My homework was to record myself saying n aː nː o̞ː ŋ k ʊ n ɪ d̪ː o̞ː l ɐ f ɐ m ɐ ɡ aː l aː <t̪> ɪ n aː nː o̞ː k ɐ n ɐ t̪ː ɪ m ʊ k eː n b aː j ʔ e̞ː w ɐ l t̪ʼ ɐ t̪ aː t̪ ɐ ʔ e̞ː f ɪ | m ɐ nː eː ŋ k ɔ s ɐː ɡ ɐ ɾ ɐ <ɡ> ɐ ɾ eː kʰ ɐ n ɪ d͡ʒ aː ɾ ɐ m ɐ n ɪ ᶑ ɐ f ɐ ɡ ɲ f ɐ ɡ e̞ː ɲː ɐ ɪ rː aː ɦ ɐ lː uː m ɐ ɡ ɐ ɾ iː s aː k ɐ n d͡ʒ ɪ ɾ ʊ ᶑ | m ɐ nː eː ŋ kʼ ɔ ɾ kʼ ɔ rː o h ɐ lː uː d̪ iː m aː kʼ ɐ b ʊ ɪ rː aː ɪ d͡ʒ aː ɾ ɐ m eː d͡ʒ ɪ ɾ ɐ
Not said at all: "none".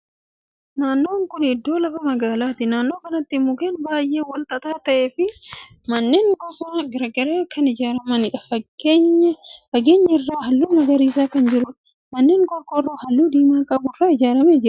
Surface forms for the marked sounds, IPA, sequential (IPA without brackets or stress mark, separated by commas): t̪, ɡ